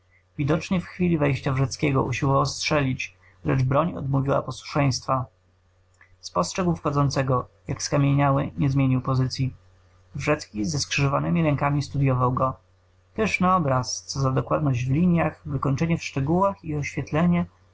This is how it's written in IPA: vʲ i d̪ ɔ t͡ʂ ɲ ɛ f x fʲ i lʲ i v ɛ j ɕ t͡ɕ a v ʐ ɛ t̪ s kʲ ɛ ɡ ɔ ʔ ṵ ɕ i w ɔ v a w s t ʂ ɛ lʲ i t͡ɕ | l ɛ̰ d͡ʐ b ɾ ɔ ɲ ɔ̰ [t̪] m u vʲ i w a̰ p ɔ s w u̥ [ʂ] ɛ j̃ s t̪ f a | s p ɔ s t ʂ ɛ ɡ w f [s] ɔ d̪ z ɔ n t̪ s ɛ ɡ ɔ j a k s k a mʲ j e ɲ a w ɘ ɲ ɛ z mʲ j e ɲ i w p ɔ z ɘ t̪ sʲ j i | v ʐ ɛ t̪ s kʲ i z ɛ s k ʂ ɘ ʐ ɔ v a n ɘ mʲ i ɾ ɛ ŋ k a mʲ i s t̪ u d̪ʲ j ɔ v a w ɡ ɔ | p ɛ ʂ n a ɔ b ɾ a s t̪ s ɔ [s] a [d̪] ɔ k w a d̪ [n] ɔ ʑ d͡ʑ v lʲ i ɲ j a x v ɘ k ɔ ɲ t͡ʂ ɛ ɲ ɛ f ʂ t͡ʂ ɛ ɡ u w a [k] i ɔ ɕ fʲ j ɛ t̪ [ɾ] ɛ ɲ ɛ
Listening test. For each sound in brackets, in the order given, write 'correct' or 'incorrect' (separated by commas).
incorrect, correct, incorrect, incorrect, correct, correct, incorrect, incorrect